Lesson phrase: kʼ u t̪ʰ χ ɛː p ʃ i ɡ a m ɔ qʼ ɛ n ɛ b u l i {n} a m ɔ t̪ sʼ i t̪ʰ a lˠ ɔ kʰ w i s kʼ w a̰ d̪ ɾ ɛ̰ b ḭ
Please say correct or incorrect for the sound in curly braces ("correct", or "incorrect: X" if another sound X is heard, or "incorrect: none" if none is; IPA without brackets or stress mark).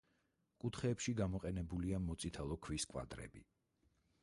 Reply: incorrect: none